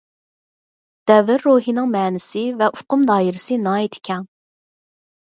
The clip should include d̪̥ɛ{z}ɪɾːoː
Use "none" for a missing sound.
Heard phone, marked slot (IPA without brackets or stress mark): v